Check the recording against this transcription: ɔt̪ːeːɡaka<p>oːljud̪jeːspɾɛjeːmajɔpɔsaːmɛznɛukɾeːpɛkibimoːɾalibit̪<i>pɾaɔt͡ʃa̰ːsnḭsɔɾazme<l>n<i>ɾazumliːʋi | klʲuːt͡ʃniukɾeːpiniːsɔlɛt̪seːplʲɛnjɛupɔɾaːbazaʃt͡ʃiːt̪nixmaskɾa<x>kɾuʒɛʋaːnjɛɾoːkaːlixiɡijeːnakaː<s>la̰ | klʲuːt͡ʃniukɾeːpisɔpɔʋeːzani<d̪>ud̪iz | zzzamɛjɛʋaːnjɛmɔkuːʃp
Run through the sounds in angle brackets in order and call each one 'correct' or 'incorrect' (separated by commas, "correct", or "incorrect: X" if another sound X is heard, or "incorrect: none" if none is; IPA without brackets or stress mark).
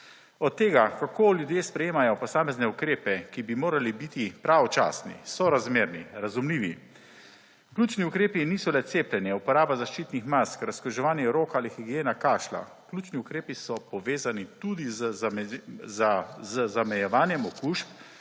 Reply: incorrect: k, correct, incorrect: ɾ, correct, incorrect: s, incorrect: ʃ, incorrect: t̪